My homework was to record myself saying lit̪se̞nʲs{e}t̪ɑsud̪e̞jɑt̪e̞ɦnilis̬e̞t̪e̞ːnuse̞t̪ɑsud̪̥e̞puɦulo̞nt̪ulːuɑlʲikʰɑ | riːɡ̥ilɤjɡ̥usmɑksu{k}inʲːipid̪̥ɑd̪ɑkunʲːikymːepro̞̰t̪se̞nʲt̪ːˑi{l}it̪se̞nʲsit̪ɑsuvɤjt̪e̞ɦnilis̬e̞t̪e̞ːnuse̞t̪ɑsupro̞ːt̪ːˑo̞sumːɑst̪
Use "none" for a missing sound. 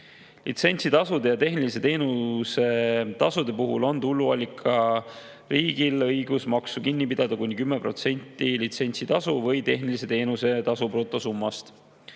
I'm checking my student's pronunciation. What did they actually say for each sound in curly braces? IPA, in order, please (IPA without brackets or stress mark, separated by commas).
i, k, l